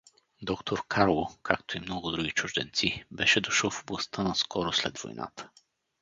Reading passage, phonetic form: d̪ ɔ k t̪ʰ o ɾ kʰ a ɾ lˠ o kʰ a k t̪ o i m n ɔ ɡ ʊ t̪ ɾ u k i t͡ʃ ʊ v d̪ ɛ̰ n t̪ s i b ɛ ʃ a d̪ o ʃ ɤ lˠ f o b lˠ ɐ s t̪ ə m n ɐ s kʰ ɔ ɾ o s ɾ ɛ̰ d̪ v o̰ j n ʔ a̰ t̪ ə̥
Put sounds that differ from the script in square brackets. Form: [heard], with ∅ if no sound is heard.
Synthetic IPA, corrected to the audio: d̪ ɔ k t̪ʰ o ɾ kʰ a ɾ lˠ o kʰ a k t̪ o i m n ɔ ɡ ʊ [d̪] ɾ u [ɡ] i t͡ʃ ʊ [ʒ] d̪ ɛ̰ n t̪ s i b ɛ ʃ [ɛ] d̪ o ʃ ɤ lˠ f o b lˠ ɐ s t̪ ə [∅] n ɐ s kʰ ɔ ɾ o s [l] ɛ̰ d̪ v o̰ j n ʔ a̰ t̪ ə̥